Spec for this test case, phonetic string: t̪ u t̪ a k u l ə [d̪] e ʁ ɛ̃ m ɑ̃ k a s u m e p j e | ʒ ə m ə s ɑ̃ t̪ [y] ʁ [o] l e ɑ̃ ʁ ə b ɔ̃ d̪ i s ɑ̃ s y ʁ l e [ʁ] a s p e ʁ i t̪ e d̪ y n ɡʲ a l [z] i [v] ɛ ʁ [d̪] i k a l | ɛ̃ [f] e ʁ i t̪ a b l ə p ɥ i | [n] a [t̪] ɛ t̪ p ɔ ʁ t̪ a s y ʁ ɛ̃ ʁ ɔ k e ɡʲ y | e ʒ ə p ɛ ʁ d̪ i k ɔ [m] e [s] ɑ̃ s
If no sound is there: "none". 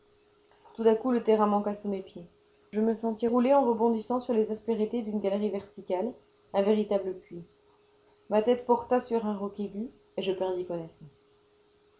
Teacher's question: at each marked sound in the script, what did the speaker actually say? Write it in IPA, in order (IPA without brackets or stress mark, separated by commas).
t̪, i, u, z, ʁ, v, t̪, v, m, t̪, n, s